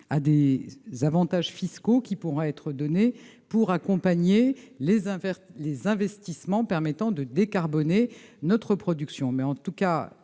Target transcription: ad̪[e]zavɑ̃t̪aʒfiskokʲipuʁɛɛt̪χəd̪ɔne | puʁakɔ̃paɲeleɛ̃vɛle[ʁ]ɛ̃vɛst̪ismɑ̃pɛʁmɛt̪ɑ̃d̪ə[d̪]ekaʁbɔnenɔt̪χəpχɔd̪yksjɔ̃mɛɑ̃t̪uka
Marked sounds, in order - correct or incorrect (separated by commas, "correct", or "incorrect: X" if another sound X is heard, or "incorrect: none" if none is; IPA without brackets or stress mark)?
correct, incorrect: z, correct